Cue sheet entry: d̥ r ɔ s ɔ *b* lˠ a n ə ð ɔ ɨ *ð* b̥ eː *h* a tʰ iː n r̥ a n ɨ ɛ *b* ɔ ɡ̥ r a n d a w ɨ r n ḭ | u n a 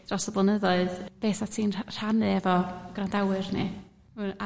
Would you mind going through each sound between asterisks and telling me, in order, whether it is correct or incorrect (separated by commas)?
correct, correct, incorrect, incorrect